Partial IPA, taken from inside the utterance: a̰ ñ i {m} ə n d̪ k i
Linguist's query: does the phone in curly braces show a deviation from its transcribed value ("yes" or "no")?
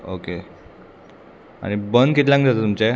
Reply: yes